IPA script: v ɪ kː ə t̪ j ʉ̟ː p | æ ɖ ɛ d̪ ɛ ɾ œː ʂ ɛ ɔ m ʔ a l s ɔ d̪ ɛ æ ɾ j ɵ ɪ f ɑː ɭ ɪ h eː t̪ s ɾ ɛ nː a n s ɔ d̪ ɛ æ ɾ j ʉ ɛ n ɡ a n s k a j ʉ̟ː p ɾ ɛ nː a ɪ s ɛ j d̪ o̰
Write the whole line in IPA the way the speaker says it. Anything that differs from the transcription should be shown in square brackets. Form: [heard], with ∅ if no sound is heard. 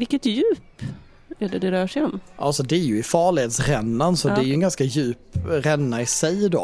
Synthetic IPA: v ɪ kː ə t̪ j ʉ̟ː p | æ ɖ ɛ d̪ ɛ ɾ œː ʂ ɛ ɔ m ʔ a l s ɔ d̪ ɛ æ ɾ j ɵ ɪ f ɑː ɭ ɪ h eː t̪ s ɾ ɛ nː a n s ɔ d̪ ɛ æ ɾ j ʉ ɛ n ɡ a n s k a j ʉ̟ː p ɾ ɛ nː a ɪ s ɛ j d̪ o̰